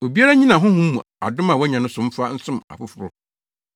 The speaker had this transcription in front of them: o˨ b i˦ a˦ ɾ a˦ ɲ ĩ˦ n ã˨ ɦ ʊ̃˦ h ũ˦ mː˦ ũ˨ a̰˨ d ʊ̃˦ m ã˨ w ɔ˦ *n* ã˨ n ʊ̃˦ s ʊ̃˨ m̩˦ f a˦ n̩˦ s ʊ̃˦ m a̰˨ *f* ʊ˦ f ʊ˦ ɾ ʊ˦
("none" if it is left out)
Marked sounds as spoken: ɲ, f

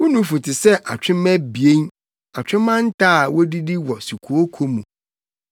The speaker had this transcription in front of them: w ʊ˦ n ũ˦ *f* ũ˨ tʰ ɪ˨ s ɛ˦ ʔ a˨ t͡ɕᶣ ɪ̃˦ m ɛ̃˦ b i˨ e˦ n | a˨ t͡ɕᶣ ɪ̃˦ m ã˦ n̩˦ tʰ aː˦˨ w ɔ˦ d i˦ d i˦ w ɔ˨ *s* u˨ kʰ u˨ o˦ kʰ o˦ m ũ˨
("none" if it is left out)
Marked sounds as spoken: f, s

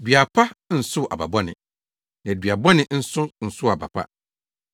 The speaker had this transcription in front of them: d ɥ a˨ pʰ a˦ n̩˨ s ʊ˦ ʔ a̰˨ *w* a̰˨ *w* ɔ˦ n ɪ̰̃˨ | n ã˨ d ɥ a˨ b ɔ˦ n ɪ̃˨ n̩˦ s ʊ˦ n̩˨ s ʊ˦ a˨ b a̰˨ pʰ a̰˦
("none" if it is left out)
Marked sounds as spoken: b, b

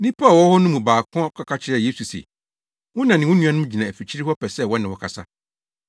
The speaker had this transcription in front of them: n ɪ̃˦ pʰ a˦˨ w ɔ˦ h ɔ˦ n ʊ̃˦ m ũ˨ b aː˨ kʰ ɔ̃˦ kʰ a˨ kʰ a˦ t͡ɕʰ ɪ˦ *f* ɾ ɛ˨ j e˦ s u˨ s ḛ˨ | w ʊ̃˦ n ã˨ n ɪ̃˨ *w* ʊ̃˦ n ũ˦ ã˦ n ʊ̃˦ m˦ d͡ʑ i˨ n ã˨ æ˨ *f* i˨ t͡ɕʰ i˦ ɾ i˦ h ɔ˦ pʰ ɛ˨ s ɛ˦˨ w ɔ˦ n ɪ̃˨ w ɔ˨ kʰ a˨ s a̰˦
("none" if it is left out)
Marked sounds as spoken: none, w, f

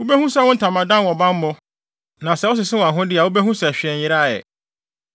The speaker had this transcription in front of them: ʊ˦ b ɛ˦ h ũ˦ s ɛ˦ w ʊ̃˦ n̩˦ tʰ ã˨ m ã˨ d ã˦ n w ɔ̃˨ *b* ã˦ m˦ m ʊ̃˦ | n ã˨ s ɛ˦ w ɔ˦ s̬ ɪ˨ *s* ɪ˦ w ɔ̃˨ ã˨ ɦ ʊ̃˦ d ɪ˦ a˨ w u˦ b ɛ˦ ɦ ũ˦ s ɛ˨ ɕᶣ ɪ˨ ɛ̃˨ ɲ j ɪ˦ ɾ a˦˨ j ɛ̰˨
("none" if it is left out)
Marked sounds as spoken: b, s

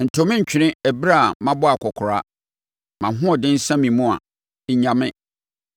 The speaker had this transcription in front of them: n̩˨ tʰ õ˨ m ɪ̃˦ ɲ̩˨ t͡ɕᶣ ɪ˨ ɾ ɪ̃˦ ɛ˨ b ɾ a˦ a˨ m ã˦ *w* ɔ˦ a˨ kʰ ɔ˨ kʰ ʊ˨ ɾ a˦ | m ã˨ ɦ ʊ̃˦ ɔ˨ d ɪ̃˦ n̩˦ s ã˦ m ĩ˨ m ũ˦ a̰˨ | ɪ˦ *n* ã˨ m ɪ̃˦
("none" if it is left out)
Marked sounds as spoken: b, ɲ

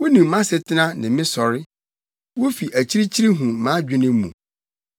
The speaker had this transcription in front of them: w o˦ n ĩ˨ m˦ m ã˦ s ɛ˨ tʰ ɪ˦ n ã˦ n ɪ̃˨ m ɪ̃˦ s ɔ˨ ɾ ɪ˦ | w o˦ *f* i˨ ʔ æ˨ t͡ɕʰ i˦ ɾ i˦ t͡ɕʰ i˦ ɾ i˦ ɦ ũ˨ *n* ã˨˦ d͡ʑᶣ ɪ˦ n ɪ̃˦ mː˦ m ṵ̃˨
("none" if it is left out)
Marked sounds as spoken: f, m

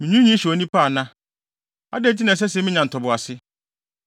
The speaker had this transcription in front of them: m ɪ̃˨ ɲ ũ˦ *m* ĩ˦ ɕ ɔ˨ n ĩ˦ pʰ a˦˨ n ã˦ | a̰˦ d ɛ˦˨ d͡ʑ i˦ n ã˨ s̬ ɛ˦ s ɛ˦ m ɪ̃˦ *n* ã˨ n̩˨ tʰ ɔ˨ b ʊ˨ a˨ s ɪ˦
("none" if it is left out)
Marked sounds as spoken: ɲ, ɲ

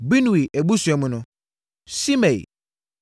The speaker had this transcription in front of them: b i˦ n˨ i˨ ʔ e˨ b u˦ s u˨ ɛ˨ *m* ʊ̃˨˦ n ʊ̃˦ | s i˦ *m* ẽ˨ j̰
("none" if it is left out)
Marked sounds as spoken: m, m

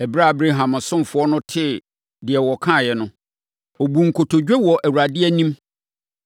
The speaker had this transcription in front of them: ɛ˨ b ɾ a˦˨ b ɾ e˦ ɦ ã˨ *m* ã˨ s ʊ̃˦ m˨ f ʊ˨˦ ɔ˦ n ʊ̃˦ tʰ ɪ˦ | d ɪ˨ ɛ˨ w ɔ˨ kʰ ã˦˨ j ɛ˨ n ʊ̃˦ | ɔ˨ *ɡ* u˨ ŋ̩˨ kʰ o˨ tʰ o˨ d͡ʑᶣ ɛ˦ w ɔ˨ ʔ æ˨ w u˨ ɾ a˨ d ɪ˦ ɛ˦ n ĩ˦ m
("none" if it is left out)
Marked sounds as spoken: m, b

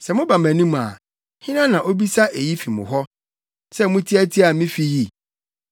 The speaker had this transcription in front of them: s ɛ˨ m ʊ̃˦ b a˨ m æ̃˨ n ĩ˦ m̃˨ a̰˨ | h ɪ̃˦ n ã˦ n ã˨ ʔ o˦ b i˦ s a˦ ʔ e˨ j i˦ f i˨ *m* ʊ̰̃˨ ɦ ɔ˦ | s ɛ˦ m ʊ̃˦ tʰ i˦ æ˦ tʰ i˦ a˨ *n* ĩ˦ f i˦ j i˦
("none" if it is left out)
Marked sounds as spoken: m, m

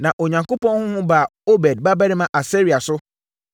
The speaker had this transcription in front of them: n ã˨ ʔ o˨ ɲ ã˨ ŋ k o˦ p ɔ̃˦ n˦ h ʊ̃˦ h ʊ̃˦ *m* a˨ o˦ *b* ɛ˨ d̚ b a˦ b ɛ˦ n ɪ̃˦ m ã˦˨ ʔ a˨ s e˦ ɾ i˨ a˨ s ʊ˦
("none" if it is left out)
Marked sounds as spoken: b, b

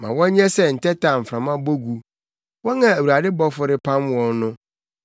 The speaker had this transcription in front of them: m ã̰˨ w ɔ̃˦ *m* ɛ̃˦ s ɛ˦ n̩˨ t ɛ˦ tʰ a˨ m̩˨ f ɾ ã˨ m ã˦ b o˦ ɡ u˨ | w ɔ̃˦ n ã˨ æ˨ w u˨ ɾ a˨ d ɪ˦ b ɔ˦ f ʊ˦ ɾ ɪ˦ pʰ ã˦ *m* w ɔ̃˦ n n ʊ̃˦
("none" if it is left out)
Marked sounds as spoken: ɲ, m

